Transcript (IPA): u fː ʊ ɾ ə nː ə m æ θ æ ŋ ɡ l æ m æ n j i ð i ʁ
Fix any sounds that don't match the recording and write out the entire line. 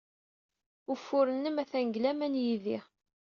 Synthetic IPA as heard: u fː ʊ ɾ ə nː ə m æ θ æ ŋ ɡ l æ m æ n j i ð i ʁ